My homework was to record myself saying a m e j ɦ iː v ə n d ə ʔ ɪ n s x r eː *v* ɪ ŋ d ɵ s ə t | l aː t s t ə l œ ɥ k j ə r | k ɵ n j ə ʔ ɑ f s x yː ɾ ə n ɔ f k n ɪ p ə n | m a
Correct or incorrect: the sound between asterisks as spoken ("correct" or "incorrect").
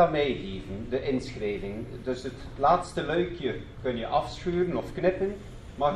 correct